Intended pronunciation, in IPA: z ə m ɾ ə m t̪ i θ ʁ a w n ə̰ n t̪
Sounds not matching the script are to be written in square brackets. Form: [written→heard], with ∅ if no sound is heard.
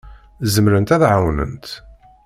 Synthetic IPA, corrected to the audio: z ə m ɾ ə [m→n] t̪ [i→æ] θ [ʁ→ʕ] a w n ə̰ n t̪